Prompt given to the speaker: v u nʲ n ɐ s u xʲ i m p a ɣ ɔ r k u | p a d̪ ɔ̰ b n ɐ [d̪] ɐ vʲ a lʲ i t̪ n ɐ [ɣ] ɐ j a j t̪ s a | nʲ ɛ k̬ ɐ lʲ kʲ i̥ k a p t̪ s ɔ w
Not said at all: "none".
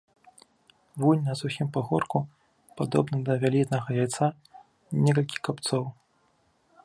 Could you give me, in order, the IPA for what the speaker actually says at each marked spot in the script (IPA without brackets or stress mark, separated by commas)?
d̪, ɣ